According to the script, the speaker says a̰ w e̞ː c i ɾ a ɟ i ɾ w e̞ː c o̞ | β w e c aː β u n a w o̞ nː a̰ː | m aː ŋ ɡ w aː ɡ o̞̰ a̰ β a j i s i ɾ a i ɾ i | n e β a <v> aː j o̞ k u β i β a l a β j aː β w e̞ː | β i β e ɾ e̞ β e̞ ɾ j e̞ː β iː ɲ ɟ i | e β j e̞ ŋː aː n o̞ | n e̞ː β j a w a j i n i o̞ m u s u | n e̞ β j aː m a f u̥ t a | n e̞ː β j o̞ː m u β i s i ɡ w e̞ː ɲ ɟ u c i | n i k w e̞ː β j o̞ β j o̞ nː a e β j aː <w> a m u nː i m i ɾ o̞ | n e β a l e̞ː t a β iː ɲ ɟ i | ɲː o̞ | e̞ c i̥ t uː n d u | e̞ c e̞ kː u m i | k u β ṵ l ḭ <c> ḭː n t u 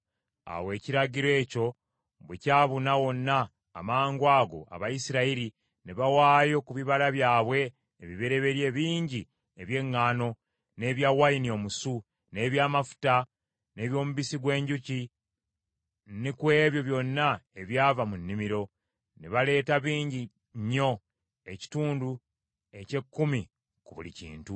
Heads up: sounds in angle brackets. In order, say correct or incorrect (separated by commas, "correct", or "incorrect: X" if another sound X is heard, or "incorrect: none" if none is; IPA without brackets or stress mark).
incorrect: w, incorrect: v, correct